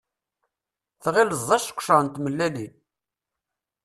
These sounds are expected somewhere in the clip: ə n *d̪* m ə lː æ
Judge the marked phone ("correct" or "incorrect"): incorrect